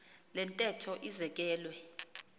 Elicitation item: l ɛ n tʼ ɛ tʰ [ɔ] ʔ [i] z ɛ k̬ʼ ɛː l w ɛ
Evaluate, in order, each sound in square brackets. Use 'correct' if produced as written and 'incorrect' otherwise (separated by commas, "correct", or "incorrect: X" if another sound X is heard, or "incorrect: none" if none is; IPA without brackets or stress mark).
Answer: correct, correct